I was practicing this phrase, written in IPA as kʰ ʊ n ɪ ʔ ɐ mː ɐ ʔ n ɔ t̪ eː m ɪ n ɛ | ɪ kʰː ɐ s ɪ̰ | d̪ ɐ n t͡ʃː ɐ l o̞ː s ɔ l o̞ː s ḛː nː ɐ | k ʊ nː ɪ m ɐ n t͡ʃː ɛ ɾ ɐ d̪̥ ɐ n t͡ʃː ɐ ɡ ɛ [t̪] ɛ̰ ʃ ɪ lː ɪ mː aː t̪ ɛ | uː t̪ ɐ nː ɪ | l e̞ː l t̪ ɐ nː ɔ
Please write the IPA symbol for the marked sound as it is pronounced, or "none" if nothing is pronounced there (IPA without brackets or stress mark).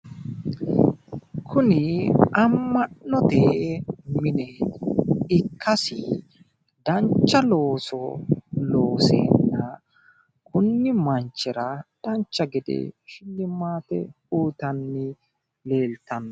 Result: d̪